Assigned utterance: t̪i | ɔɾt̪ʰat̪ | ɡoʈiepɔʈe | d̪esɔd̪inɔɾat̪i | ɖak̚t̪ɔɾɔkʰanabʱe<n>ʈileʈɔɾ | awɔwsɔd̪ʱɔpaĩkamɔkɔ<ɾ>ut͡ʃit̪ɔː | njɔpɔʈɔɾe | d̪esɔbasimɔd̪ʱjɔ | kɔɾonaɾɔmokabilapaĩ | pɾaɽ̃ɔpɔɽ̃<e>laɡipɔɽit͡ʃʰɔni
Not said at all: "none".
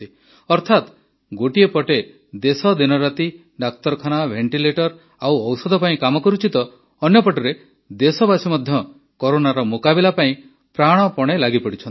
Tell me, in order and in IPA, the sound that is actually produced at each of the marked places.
ɳ, ɾ, e

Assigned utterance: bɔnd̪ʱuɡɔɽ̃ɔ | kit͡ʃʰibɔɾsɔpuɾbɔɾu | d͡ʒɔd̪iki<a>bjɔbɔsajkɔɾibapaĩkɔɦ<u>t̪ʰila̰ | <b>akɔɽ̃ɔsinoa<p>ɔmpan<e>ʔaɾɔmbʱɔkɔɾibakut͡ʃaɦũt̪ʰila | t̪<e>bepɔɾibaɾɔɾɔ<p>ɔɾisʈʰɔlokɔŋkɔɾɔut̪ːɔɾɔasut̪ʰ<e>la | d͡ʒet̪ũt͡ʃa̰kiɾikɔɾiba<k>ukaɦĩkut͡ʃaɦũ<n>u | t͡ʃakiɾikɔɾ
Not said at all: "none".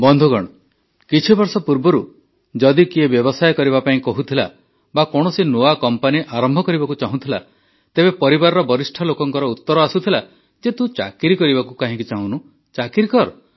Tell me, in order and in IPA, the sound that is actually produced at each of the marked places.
e, u, b, k, i, e, b, i, k, n

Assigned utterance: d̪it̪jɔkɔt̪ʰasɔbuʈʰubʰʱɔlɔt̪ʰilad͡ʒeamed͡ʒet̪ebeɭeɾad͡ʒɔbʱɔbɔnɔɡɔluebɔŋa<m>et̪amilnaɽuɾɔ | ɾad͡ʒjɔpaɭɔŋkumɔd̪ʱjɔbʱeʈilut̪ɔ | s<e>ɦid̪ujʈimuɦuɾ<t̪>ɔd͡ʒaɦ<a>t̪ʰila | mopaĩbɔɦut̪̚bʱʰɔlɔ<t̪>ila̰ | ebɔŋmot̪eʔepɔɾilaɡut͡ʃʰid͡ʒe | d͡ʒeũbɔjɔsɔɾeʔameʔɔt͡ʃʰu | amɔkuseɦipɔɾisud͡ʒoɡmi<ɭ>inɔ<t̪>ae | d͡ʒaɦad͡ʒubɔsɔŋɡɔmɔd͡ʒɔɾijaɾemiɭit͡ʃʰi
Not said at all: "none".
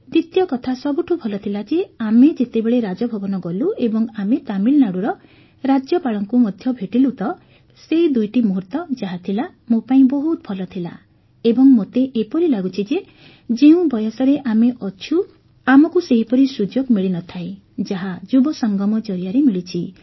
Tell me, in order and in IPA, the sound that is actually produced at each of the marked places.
m, e, t̪, a, t̪ʰ, ɭ, t̪ʰ

